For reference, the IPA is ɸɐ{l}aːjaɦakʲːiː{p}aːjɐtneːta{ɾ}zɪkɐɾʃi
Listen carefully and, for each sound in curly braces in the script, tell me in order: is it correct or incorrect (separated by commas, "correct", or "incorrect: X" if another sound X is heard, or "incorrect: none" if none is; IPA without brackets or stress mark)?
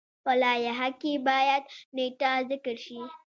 correct, incorrect: b, incorrect: none